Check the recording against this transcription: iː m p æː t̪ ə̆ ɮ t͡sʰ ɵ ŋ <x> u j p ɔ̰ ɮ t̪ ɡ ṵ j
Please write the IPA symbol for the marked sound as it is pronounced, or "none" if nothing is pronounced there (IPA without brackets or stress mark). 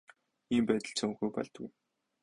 x